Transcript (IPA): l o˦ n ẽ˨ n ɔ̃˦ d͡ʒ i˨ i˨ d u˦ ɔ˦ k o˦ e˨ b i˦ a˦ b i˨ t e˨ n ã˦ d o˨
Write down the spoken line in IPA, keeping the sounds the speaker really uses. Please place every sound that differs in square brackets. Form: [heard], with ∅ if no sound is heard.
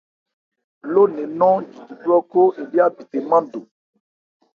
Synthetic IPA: l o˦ n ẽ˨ n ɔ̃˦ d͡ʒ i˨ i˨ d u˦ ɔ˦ k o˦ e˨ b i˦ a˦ b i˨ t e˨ [m] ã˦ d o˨